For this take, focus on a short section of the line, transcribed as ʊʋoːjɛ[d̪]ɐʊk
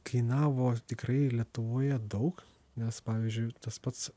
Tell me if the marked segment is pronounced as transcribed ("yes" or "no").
yes